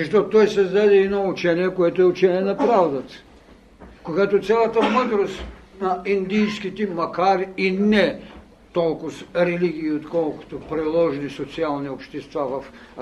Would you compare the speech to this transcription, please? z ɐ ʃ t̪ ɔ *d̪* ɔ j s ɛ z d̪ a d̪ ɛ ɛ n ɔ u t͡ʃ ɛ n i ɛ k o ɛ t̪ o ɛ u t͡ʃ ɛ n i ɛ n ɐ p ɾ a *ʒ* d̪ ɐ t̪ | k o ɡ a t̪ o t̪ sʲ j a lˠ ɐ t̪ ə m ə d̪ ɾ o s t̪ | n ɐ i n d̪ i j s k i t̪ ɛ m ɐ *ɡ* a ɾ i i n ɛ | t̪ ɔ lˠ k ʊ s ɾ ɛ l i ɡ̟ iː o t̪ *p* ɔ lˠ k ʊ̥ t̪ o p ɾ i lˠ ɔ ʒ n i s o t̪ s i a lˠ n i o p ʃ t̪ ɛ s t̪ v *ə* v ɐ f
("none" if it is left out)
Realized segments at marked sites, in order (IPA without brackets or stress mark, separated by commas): t̪, v, k, k, a